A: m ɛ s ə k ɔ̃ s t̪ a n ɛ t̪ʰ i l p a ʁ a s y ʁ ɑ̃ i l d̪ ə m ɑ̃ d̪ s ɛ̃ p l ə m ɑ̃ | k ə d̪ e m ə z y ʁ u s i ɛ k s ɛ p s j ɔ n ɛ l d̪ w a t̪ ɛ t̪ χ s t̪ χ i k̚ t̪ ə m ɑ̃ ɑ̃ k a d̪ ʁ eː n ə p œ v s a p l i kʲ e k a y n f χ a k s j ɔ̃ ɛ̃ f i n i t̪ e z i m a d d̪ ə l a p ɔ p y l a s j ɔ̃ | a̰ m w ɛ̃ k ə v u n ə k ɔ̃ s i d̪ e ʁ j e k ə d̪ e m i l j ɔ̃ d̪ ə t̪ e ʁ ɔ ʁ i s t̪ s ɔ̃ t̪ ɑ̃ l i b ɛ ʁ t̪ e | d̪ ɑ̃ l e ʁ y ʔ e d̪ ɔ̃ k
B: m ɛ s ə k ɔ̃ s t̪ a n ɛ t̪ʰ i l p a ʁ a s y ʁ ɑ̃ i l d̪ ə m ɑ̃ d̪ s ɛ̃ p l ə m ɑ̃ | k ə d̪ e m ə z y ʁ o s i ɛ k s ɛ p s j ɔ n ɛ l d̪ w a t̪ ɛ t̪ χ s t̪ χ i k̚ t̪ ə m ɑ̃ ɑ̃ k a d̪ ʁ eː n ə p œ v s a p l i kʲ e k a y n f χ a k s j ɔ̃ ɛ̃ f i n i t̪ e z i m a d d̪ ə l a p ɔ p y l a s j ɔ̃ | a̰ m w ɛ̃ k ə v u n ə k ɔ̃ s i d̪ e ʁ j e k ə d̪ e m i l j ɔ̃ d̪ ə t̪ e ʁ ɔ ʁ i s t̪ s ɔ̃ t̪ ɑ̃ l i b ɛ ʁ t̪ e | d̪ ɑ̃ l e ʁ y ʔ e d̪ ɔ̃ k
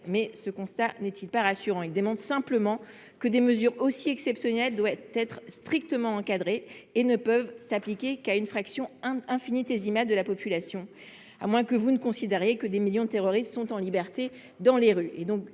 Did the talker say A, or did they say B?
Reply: B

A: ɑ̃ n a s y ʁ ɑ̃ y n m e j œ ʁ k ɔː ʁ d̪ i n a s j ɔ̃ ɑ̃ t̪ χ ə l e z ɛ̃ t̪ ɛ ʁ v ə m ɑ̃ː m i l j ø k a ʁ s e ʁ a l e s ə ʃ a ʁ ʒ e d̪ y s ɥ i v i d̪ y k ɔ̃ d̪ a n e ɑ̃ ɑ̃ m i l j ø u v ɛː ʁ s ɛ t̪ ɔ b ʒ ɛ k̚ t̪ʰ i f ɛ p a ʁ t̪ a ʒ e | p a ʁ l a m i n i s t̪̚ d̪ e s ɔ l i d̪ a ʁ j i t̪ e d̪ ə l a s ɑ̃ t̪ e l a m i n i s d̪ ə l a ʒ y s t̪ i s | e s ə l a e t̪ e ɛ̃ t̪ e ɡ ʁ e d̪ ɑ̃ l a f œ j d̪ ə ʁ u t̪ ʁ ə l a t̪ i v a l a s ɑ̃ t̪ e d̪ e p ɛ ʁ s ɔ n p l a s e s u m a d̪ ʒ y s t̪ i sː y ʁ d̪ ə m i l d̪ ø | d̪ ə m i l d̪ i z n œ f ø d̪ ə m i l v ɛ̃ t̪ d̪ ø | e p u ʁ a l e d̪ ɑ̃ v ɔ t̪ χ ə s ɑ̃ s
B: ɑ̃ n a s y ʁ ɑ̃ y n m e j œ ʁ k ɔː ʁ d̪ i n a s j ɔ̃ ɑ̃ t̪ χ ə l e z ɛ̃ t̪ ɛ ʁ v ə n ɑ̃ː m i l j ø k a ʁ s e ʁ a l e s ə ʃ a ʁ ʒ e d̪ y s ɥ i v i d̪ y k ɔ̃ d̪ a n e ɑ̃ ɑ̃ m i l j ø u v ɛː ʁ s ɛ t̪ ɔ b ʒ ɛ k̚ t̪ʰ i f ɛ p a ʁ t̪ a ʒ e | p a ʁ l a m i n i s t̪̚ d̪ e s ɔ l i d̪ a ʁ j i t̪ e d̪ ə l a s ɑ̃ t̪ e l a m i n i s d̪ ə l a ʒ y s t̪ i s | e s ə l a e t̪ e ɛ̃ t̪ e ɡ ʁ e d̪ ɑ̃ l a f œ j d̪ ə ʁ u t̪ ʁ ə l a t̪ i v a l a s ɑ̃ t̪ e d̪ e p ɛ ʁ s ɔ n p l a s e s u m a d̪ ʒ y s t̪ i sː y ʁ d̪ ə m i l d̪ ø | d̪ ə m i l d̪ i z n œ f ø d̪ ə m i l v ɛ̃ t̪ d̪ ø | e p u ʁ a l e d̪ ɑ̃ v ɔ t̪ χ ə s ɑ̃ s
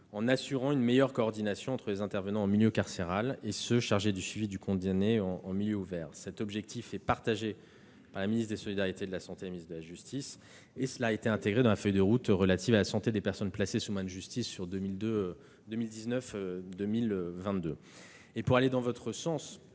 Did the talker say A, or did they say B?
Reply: B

